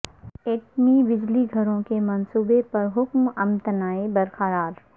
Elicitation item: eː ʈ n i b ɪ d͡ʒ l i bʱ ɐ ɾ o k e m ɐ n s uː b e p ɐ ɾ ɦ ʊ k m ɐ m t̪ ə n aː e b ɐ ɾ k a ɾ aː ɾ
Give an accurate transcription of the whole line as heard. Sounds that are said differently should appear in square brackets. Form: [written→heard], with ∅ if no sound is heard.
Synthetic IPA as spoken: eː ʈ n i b ɪ d͡ʒ l i [bʱ→ɡʱ] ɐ ɾ [o→õ] k e m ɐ n s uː b e p ɐ ɾ ɦ ʊ k m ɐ m t̪ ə n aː e b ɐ ɾ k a ɾ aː ɾ